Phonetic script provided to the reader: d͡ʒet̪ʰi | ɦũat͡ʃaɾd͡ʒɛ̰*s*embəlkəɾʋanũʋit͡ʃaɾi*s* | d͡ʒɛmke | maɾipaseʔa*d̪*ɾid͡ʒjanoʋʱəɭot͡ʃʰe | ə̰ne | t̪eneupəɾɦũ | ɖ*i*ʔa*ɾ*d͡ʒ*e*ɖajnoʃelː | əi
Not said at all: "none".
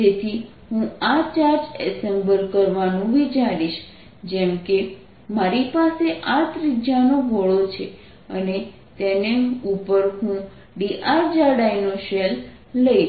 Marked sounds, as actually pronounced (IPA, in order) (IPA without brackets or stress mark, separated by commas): s, ʃ, t̪, i, ɾ, a